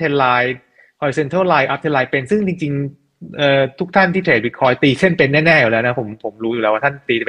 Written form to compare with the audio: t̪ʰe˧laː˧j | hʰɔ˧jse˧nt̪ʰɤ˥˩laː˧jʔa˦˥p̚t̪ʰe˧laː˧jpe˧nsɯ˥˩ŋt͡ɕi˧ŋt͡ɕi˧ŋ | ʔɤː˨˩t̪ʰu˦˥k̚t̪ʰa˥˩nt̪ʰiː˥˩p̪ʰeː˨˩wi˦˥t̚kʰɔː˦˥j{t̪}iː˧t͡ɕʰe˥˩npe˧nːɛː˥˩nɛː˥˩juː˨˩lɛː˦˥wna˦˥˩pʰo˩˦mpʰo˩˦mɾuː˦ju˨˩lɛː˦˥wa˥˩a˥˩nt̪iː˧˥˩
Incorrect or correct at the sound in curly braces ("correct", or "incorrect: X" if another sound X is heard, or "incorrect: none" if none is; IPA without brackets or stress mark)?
correct